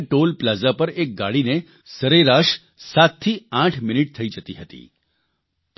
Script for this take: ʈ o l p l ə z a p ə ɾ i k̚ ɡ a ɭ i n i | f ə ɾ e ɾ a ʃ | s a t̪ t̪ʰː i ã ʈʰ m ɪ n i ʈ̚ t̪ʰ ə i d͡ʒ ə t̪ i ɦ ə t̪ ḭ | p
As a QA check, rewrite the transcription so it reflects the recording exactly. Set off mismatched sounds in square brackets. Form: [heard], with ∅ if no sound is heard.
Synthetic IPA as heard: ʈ o l p l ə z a p ə ɾ [e] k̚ ɡ a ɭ i n [e] | [s] ə ɾ e ɾ a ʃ | s a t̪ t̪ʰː i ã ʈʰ m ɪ n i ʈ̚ t̪ʰ ə i d͡ʒ ə t̪ i ɦ ə t̪ ḭ | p